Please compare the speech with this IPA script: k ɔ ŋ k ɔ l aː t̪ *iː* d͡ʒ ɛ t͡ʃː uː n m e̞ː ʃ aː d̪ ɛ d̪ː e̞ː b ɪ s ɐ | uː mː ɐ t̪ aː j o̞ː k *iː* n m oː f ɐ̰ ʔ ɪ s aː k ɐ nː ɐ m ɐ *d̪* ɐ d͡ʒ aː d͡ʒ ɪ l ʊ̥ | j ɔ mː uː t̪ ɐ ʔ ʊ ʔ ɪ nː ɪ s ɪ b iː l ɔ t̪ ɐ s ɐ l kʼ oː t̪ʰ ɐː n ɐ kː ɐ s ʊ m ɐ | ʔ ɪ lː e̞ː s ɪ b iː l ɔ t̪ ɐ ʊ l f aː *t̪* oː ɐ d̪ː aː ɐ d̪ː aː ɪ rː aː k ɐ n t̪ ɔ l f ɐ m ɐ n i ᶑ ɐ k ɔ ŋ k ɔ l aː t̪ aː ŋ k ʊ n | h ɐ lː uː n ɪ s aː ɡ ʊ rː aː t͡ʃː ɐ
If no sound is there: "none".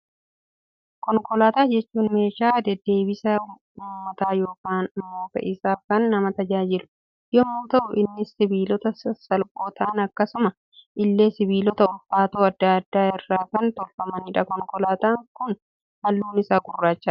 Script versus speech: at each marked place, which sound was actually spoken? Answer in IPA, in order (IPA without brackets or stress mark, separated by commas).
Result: aː, aː, t̪, t̪